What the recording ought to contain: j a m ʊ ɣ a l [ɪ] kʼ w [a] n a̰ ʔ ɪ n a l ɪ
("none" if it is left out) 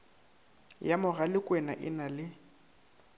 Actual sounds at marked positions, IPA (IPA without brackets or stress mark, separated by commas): ɪ, ɛ